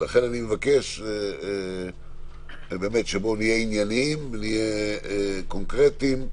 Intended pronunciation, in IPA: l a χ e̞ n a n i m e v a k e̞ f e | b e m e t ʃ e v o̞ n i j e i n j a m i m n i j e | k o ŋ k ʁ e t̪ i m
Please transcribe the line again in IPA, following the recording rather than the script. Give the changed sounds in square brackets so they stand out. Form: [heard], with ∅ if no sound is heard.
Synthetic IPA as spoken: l a χ e̞ n a n i m e v a k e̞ [ʃ] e | b e m e t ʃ e [b] o̞ n i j e i n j a [n] i m n i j e | k o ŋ k ʁ e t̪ i m